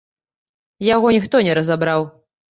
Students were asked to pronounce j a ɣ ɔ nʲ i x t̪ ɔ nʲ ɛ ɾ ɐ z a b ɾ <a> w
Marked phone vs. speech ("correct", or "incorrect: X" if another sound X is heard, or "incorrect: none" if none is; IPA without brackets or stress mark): correct